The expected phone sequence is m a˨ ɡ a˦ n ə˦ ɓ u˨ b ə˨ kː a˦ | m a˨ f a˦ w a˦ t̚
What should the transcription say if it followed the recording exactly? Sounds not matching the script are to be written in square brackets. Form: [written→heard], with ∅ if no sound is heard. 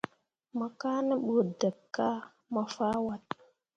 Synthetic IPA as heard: m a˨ [ɡ→k] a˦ n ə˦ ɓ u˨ [b→d] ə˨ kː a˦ | m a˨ f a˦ w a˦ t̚